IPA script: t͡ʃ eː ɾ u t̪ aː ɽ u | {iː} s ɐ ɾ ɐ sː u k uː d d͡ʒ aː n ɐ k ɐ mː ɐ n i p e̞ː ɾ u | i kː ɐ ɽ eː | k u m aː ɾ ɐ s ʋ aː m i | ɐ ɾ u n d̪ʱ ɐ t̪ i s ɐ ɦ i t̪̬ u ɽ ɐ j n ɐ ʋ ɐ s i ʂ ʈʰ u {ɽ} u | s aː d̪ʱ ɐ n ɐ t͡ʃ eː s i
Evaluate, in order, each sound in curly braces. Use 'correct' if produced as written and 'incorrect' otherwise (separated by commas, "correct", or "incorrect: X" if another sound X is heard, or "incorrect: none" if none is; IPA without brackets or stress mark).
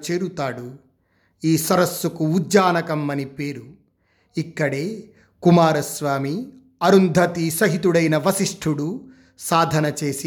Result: correct, correct